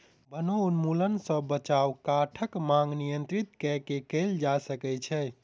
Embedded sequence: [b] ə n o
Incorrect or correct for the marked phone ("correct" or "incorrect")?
correct